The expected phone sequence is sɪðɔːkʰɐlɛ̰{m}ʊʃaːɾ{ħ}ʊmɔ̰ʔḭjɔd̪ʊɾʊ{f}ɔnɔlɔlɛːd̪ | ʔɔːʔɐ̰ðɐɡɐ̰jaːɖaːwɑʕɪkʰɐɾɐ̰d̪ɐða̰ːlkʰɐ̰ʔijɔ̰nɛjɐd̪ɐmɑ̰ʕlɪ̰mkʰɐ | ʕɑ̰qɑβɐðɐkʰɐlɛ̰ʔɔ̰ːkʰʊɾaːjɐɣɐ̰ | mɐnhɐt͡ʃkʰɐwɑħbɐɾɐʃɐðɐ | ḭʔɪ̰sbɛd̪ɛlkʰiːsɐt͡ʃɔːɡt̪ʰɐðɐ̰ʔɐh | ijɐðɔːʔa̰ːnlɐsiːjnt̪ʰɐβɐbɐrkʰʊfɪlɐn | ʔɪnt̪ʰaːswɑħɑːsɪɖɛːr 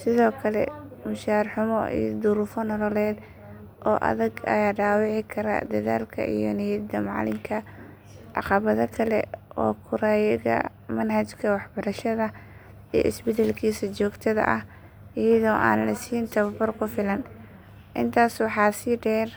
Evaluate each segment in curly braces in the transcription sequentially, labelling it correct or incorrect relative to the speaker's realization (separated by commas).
correct, correct, correct